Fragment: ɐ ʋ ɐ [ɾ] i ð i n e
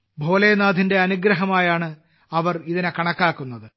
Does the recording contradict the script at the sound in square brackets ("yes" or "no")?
yes